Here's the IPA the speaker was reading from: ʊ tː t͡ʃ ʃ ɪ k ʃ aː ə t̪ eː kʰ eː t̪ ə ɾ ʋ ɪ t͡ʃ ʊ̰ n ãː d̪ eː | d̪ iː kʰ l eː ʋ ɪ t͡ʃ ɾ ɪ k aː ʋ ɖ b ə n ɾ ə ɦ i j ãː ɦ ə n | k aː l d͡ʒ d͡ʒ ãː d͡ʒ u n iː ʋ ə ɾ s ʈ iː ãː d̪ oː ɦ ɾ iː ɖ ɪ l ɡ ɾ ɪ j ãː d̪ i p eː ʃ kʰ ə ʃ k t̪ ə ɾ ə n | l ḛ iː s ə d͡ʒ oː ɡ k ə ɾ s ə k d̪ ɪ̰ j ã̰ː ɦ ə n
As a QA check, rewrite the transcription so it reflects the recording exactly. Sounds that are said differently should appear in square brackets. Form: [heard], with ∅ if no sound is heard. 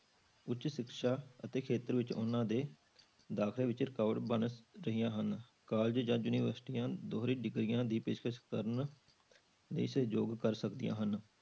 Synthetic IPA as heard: ʊ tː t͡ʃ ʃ ɪ k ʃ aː ə t̪ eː kʰ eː t̪ ə ɾ ʋ ɪ t͡ʃ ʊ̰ n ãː d̪ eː | d̪ [aː] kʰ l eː ʋ ɪ t͡ʃ ɾ ɪ k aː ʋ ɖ b ə n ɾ ə ɦ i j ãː ɦ ə n | k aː l d͡ʒ d͡ʒ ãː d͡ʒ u n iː ʋ ə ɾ s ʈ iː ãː d̪ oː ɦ ɾ iː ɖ ɪ [∅] ɡ ɾ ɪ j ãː d̪ [iː] p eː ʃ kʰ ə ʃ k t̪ ə ɾ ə n | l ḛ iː s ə d͡ʒ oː ɡ k ə ɾ s ə k d̪ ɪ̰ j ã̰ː ɦ ə n